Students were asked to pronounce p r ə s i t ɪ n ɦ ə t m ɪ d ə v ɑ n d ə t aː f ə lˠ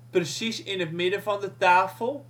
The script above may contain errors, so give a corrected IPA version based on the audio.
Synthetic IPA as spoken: p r ə s i s ɪ n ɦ ə t m ɪ d ə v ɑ n d ə t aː f ə lˠ